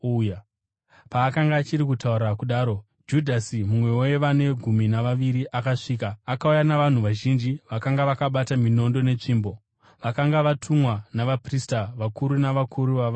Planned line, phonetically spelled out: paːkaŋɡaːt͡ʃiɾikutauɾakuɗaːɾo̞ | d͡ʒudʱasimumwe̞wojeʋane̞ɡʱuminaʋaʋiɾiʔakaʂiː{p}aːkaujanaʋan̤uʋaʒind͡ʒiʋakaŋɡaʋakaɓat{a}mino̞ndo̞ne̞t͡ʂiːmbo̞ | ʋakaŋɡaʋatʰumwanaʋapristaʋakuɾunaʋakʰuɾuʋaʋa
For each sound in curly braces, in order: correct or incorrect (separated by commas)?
incorrect, correct